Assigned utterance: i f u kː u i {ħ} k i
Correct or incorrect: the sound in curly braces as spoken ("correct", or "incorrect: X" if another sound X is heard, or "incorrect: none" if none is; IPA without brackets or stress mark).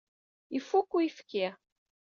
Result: incorrect: f